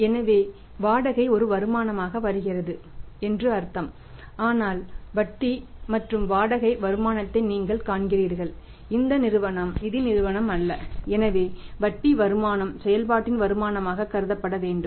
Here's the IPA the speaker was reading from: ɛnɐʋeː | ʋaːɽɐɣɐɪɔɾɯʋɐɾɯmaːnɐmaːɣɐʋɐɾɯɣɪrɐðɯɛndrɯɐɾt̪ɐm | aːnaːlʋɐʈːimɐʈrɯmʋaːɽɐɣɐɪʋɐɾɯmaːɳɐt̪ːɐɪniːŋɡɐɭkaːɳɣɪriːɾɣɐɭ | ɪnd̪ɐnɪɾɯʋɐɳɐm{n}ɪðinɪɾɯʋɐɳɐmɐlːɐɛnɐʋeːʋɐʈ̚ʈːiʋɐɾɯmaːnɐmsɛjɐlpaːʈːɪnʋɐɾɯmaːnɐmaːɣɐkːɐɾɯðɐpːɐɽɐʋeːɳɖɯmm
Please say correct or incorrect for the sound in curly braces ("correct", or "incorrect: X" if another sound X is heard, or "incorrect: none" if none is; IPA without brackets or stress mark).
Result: correct